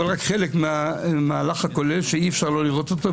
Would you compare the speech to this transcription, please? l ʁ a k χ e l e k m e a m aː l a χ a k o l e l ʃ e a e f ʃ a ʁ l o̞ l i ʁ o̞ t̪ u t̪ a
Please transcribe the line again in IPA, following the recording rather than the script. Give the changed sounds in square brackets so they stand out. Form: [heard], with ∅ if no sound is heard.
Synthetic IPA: l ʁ a k χ e l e k m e a m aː l a χ a k o l e l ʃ e [i] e f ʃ a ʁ l o̞ l i ʁ o̞ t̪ [o] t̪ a